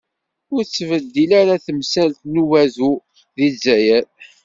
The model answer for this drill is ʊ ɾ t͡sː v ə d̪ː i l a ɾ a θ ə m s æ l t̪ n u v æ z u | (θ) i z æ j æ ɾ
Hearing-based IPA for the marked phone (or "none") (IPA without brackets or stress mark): ð